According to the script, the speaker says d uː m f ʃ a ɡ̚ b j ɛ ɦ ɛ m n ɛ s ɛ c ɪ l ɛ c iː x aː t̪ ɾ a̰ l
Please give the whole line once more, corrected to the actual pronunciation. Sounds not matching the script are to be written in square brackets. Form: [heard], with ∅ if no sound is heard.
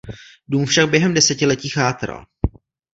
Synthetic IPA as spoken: d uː m f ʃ a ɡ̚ b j ɛ ɦ ɛ m [d] ɛ s ɛ c ɪ l ɛ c iː x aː t̪ ɾ a̰ l